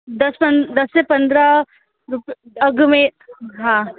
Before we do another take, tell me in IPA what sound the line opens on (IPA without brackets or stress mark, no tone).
d̪